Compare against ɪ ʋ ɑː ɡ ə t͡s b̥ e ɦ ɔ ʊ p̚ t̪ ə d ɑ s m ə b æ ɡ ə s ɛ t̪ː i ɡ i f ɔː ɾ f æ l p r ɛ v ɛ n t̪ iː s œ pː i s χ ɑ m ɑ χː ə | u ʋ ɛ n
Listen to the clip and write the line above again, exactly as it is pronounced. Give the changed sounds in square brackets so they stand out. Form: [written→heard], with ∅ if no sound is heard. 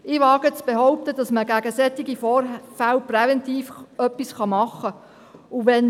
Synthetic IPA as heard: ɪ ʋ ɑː ɡ ə t͡s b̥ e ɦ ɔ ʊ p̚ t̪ ə d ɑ s m ə [b→ɡ] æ ɡ ə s ɛ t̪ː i ɡ i f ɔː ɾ f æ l p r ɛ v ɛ n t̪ iː [s→f] œ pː i s χ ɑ m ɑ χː ə | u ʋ ɛ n